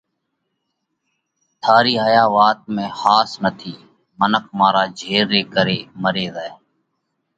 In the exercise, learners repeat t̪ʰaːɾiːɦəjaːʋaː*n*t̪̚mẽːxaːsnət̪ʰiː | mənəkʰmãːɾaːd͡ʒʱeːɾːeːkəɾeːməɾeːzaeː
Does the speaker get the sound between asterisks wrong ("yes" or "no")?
yes